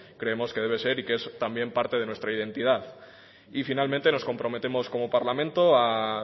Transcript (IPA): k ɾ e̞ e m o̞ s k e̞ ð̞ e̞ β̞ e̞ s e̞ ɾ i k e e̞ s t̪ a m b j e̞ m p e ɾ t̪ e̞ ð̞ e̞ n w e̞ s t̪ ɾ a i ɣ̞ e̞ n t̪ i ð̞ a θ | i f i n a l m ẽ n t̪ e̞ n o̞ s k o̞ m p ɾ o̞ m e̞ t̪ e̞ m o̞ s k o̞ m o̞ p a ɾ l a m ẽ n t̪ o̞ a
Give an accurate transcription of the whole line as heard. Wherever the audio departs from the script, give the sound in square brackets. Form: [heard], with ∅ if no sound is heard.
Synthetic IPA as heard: k ɾ e̞ e m o̞ s k e̞ ð̞ e̞ β̞ e̞ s e̞ ɾ i k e e̞ s t̪ a m b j e̞ m p [a] ɾ t̪ e̞ ð̞ e̞ n w e̞ s t̪ ɾ a i [ð̞] e̞ n t̪ i ð̞ a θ | i f i n a l m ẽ n t̪ e̞ n o̞ s k o̞ m p ɾ o̞ m e̞ t̪ e̞ m o̞ s k o̞ m o̞ p a ɾ l a m ẽ n t̪ o̞ a